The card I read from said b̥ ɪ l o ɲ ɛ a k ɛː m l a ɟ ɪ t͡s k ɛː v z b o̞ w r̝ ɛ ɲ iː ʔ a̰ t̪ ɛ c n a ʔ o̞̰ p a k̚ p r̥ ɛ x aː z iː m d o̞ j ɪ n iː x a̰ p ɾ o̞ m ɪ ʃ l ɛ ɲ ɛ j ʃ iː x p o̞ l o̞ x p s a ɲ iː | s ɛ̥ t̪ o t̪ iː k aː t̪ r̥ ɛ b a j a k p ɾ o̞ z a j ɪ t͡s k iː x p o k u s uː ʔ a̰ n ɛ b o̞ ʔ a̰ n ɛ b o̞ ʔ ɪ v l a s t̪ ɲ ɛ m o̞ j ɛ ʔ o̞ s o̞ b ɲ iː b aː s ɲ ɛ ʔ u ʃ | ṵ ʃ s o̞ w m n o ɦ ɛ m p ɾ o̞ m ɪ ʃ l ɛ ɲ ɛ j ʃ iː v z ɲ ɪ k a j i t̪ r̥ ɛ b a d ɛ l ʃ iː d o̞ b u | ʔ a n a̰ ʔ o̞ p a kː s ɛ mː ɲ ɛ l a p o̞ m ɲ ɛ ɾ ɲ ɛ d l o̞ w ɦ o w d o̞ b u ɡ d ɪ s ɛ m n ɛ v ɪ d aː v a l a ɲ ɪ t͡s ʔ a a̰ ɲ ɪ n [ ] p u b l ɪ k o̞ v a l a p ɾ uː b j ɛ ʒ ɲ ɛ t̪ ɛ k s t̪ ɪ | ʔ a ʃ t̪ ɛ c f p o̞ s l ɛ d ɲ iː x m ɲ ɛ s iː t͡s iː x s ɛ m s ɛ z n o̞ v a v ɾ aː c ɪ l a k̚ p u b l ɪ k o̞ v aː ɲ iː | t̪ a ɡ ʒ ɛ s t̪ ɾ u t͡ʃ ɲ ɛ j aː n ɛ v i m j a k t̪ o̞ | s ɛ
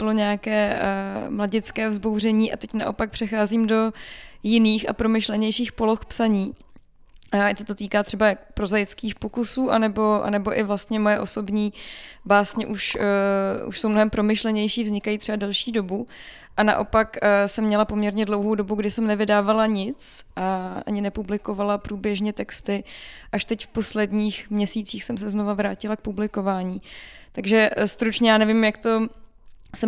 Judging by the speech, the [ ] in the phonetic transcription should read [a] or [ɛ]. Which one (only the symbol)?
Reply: ɛ